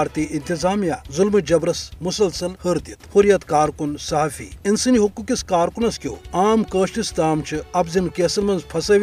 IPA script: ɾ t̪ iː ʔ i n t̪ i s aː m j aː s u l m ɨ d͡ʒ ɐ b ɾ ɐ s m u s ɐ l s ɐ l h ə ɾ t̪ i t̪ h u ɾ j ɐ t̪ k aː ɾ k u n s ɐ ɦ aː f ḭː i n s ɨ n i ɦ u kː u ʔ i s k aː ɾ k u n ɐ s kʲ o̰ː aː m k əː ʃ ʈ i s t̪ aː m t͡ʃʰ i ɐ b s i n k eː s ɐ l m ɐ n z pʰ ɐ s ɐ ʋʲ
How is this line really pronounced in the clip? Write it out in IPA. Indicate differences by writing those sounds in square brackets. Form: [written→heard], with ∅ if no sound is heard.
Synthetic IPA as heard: ɾ t̪ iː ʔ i n t̪ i [s→z] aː m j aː [s→z] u l m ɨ d͡ʒ ɐ b ɾ ɐ s m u s ɐ l s ɐ l h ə ɾ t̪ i t̪ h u ɾ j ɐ t̪ k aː ɾ k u n s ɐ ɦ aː f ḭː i n s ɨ n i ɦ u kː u [ʔ→k] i s k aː ɾ k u n ɐ s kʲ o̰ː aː m k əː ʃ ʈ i s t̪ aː m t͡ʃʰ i ɐ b [s→z] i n k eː s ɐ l m ɐ n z pʰ ɐ s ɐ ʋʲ